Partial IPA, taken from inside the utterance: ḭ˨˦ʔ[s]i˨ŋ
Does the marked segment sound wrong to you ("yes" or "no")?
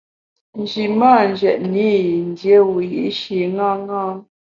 yes